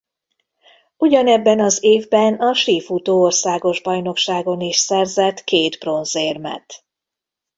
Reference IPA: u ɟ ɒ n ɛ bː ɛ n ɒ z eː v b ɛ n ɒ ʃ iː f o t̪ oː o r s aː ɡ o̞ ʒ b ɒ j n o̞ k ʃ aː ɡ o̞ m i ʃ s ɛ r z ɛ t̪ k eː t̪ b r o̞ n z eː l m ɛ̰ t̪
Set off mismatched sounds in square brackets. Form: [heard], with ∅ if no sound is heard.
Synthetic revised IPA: u ɟ ɒ n ɛ bː ɛ n ɒ z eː v b ɛ n ɒ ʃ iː f [u] t̪ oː o r s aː ɡ o̞ ʒ b ɒ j n o̞ k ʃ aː ɡ o̞ [n] i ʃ s ɛ r z ɛ t̪ k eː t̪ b r o̞ n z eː [r] m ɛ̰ t̪